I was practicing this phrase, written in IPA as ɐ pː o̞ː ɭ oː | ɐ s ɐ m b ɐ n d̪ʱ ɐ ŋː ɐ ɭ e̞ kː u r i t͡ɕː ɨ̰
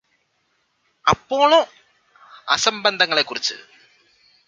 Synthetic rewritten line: ɐ pː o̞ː ɭ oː | ɐ s ɐ m b ɐ n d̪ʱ ɐ ŋː ɐ ɭ e̞ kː u r i t͡ɕː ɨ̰